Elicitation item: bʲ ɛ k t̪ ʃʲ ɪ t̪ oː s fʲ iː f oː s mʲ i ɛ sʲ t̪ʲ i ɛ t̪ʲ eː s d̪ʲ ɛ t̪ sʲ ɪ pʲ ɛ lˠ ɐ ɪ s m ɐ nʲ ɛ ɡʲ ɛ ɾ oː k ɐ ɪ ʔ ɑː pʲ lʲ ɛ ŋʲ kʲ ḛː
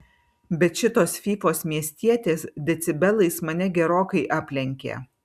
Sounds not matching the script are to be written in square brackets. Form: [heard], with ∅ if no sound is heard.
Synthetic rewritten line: bʲ ɛ [∅] t̪ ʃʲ ɪ t̪ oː s fʲ iː f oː s mʲ i ɛ sʲ t̪ʲ i ɛ t̪ʲ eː s d̪ʲ ɛ t̪ sʲ ɪ [bʲ] ɛ lˠ ɐ ɪ s m ɐ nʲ ɛ ɡʲ ɛ ɾ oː k ɐ ɪ ʔ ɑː pʲ lʲ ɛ ŋʲ kʲ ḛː